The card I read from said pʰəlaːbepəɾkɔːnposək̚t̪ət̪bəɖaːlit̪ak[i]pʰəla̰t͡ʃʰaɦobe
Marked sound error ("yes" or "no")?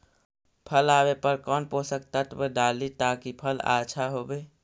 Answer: no